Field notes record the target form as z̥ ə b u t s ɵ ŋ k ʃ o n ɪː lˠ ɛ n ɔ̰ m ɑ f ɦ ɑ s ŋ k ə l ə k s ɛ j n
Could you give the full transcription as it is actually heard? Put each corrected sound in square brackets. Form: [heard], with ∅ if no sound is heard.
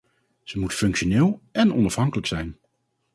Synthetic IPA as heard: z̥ ə [m] u t [f] ɵ ŋ k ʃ o n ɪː lˠ ɛ n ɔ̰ [n] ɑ f ɦ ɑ [∅] ŋ k ə l ə k s ɛ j n